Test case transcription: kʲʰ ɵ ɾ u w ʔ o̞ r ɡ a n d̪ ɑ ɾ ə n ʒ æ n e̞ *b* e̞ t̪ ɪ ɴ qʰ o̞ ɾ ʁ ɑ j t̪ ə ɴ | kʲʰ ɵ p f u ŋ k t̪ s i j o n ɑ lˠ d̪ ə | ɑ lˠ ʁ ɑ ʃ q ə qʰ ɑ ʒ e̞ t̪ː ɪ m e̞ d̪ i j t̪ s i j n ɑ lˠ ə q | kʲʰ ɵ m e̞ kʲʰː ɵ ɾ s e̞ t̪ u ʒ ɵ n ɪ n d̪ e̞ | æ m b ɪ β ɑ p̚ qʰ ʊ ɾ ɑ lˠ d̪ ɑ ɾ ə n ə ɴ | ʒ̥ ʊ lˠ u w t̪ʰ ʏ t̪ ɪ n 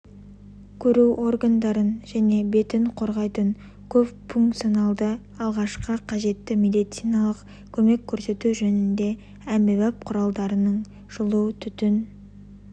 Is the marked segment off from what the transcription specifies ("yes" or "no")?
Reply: no